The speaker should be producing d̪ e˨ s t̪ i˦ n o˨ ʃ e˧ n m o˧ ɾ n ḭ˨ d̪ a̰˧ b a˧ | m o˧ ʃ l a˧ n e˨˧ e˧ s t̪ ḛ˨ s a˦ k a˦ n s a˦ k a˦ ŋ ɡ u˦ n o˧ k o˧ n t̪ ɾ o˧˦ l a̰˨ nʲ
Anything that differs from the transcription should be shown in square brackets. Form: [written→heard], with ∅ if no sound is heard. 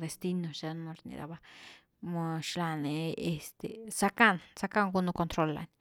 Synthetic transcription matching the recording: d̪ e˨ s t̪ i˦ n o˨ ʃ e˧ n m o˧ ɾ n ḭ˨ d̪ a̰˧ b a˧ | m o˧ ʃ l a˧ n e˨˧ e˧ s t̪ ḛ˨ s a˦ k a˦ n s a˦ k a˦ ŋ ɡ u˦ n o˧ k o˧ n t̪ ɾ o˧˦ l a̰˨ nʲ